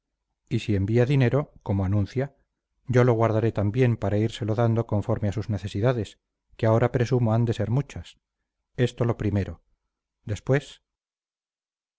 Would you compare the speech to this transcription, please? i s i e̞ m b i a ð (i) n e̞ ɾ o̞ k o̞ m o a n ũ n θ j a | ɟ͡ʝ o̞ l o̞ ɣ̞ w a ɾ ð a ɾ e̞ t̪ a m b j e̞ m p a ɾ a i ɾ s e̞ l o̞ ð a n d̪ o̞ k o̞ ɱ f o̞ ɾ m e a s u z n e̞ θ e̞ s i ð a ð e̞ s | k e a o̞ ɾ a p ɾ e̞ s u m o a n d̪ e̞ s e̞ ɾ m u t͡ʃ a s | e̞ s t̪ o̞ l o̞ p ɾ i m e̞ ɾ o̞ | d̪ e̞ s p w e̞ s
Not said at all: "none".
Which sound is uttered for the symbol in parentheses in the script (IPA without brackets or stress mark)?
i